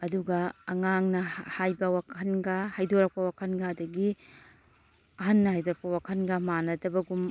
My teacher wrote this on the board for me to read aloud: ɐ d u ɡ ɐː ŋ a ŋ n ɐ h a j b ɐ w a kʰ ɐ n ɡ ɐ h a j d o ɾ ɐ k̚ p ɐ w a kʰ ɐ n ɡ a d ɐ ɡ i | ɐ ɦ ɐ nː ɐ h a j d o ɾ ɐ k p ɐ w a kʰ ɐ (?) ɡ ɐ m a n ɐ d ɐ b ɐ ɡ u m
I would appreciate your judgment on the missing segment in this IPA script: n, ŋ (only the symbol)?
n